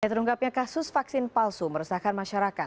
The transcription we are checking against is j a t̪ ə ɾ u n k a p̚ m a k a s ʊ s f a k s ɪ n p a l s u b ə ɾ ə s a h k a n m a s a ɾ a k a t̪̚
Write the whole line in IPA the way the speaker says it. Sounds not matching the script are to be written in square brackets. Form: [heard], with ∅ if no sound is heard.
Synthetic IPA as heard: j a t̪ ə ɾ u [ŋ] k a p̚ [ɲ] a k a s ʊ s f a k s ɪ n p a l s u [m] ə ɾ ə s a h k a n m a [ʃ] a ɾ a k a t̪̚

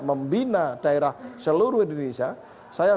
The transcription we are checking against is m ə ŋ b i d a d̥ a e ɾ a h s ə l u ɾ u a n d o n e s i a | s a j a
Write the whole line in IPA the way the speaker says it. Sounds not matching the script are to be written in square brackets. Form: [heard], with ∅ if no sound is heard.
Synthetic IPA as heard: m ə [m] b i [n] a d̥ a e ɾ a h s ə l u ɾ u [i] n d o n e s i a | s a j a

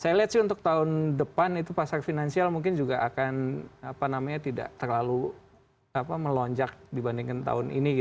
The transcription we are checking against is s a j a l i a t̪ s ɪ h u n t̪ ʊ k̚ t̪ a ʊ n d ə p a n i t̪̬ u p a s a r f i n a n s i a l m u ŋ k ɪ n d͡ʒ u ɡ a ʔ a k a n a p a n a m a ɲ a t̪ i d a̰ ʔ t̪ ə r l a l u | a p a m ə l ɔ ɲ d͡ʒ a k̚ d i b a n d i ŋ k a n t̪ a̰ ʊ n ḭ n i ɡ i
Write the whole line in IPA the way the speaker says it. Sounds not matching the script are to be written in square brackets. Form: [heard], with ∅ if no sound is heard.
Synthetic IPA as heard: s a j a l i a t̪ s ɪ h u n t̪ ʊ k̚ t̪ a ʊ n d ə p a n i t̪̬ u p a s a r f i n a n s i a l m u ŋ k ɪ n d͡ʒ u ɡ a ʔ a k a n a p a n a m a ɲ a t̪ i d a̰ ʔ t̪ ə r l a l u | a p a m ə l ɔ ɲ d͡ʒ a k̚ d i b a n d i ŋ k a n t̪ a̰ ʊ n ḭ n i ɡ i

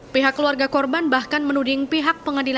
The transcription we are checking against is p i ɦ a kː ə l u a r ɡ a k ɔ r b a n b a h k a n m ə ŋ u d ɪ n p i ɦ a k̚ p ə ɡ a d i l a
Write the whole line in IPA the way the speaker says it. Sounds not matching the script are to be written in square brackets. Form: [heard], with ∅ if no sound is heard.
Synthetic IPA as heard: p i ɦ a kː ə l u a r ɡ a k ɔ r b a n b a h k a n m ə [n] u d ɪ [ŋ] p i ɦ a k̚ p ə [ŋ] a d i l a

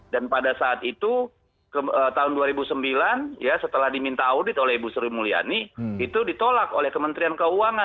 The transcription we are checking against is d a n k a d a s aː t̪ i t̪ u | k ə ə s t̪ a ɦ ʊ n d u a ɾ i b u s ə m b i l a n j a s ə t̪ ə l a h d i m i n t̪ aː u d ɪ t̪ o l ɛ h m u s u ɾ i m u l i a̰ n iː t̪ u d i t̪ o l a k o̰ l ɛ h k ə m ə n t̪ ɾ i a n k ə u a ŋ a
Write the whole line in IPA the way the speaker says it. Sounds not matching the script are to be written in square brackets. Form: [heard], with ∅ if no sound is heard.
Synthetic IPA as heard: d a n [p] a d a s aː t̪ i t̪ u | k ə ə [∅] t̪ a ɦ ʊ n d u a ɾ i b u s ə m b i l a n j a s ə t̪ ə l a h d i m i n t̪ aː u d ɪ t̪ o l ɛ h [b] u s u ɾ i m u l i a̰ n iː t̪ u d i t̪ o l a k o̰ l ɛ h k ə m ə n t̪ ɾ i a n k ə u a ŋ a

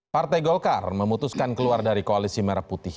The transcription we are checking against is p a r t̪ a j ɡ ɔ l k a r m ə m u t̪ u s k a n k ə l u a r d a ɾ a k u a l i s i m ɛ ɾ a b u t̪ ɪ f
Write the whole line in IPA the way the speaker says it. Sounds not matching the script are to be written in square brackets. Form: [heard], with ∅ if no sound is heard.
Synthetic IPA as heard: p a r t̪ a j ɡ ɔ l k a r m ə m u t̪ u s k a n k ə l u a r d a ɾ [i] k [o] a l i s i m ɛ ɾ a [p] u t̪ ɪ [h]

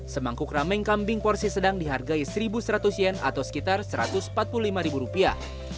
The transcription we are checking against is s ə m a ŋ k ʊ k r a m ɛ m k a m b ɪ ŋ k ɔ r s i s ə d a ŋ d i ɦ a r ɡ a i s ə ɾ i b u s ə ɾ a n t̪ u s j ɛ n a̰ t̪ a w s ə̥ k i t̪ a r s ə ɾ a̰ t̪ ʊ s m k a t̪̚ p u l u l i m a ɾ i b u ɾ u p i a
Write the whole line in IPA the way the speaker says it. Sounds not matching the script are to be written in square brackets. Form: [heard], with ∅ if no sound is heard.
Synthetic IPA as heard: s ə m a ŋ k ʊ k r a m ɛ [ŋ] k a m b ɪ ŋ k ɔ r s i s ə d a ŋ d i ɦ a r ɡ a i s ə ɾ i b u s ə ɾ a [∅] t̪ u s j ɛ n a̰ t̪ a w s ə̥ k i t̪ a r s ə ɾ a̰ t̪ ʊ s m [p] a t̪̚ p u l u l i m a ɾ i b u ɾ u p i a

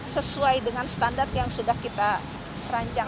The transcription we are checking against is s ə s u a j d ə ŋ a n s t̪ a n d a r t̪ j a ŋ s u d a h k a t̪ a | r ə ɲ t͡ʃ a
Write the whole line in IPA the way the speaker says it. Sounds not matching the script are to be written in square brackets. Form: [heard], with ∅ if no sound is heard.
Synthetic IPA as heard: s ə s u a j d ə ŋ a n s t̪ a n d a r t̪ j a ŋ s u d a h k [i] t̪ a | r [a] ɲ t͡ʃ a

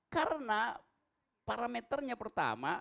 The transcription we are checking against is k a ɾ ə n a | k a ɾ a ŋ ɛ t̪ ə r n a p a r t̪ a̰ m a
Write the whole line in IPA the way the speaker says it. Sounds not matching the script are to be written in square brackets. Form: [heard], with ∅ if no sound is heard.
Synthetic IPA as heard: k a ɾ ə n a | [p] a ɾ a [m] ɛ t̪ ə r [ɲ] a p [ə] r t̪ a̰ m a

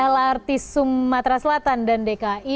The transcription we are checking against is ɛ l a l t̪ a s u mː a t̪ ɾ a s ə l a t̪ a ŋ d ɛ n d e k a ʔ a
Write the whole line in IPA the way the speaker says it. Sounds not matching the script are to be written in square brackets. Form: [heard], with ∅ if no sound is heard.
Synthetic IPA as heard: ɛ l a [r] t̪ [i] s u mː a t̪ ɾ a s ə l a t̪ a [n] d [a] n d e k a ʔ [i]

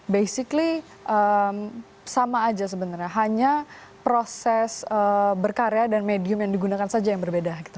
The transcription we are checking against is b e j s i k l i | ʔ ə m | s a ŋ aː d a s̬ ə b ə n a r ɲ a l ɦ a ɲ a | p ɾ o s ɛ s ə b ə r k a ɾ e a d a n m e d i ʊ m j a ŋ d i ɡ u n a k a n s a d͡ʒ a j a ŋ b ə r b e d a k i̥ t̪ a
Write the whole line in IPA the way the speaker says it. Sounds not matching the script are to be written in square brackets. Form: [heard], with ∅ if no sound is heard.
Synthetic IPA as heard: b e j s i k l i | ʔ ə m | s a [m] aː [d͡ʒ] a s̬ ə b ə n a r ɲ a [∅] ɦ a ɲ a | p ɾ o s ɛ s ə b ə r k a ɾ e a d a n m e d i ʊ m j a ŋ d i ɡ u n a k a n s a d͡ʒ a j a ŋ b ə r b e d a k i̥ t̪ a

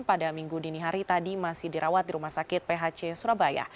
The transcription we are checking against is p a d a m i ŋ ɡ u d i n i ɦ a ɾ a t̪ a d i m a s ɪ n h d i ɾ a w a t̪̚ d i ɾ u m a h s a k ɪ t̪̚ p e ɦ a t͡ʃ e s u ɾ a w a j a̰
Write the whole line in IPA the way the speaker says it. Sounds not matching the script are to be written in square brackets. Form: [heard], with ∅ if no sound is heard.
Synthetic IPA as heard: p a d a m i ŋ ɡ u d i n i ɦ a ɾ [i] t̪ a d i m a s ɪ [∅] h d i ɾ a w a t̪̚ d i ɾ u m a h s a k ɪ t̪̚ p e ɦ a t͡ʃ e s u ɾ a [b] a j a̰

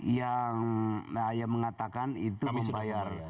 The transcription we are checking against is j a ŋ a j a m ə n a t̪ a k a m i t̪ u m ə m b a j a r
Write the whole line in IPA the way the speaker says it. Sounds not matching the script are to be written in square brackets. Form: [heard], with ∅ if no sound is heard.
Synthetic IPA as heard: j a ŋ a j a m ə [ŋ] a t̪ a k a [n] i t̪ u m ə m b a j a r

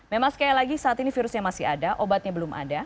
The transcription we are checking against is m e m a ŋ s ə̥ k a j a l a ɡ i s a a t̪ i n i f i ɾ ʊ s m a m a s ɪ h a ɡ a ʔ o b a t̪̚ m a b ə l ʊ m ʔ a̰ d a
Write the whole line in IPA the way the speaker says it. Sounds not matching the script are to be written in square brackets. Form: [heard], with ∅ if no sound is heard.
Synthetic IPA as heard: m e m a ŋ s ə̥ k a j a l a ɡ i s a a t̪ i n i f i ɾ ʊ s [ɲ] a m a s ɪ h a [d] a ʔ o b a t̪̚ [ɲ] a b ə l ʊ m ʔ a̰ d a

